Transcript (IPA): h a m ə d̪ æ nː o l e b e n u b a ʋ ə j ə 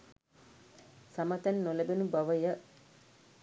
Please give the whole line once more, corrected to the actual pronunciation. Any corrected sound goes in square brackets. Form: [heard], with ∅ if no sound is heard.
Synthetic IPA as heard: [s] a m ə [t̪] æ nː o l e b e n u b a ʋ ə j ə